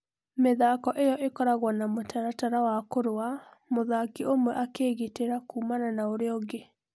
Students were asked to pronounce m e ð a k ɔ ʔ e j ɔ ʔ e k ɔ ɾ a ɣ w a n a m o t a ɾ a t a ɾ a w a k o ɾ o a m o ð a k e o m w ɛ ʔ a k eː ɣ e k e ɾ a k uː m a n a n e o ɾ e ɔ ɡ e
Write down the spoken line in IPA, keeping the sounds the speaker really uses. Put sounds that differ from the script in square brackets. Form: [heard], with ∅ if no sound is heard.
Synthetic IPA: m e ð a k ɔ ʔ e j ɔ ʔ e k ɔ ɾ a ɣ w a n a m o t a ɾ a t a ɾ a w a k o ɾ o a m o ð a k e o m w ɛ ʔ a k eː ɣ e [t] e ɾ a k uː m a n a n [a] o ɾ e ɔ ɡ e